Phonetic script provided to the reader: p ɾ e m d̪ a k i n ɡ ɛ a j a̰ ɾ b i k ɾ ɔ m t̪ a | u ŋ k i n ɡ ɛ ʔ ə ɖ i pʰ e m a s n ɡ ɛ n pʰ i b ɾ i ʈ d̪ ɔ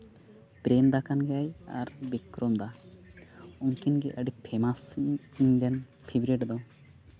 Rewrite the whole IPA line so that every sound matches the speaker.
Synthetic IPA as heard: p ɾ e m d̪ a k a n ɡ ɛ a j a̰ ɾ b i k ɾ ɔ m d̪ a | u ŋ k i n ɡ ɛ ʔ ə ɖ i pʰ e m a s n ɡ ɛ n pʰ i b ɾ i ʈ d̪ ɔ